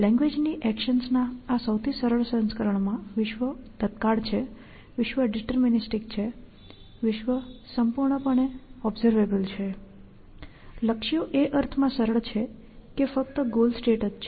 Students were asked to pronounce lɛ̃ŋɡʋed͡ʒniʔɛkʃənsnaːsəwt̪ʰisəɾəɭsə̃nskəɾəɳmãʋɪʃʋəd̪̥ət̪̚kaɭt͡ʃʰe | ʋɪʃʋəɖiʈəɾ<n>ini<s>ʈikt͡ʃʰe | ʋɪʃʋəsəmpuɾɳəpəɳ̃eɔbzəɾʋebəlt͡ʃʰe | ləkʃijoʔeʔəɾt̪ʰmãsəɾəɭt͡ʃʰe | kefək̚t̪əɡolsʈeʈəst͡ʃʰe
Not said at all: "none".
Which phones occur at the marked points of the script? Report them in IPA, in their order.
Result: m, s

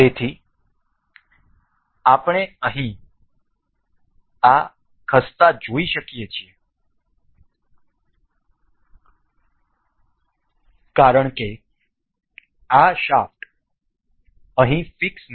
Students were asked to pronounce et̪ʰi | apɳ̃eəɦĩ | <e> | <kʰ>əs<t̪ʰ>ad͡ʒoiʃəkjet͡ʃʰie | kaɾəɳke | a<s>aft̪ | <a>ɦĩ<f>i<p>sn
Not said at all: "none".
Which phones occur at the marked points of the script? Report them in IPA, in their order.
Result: a, kʰ, t̪, ʃ, ə, f, k

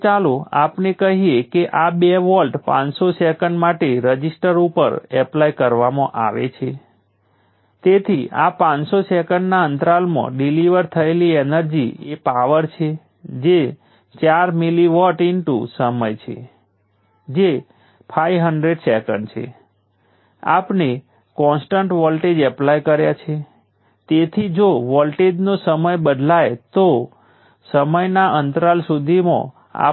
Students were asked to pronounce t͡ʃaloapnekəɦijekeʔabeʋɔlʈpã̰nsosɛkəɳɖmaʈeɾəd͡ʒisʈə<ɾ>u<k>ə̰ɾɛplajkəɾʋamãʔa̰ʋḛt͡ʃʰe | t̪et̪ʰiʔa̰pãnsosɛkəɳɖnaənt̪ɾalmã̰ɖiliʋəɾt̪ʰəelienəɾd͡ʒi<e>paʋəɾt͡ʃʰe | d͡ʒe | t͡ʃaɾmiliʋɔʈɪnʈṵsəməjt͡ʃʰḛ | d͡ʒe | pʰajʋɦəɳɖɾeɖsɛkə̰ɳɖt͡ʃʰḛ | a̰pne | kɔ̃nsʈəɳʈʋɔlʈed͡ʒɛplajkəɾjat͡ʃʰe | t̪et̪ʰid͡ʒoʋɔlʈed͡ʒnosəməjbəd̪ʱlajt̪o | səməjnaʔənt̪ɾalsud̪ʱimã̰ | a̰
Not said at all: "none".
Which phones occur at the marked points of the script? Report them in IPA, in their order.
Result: ɾ, p, e

